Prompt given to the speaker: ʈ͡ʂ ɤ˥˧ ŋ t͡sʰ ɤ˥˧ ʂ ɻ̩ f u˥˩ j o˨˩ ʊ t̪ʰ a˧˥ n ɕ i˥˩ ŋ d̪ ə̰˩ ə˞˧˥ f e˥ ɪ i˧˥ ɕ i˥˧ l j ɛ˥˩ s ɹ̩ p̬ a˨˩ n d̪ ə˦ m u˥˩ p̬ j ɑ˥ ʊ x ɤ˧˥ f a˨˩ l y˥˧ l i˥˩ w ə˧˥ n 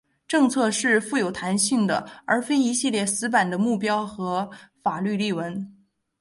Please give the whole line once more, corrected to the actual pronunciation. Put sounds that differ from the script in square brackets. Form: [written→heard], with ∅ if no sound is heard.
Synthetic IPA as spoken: ʈ͡ʂ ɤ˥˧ ŋ t͡sʰ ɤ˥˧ ʂ ɻ̩ f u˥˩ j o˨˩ ʊ t̪ʰ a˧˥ n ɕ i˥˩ ŋ d̪ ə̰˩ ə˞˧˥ f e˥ ɪ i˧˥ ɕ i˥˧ l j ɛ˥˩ s ɹ̩ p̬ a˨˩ n d̪ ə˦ m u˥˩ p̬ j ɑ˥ ʊ x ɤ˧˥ f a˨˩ l y˥˧ l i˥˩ w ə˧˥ n